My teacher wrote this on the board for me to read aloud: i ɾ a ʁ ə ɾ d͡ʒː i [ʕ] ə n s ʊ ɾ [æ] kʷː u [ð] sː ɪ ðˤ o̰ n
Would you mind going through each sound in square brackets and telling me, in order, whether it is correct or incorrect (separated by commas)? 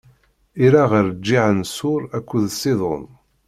correct, correct, correct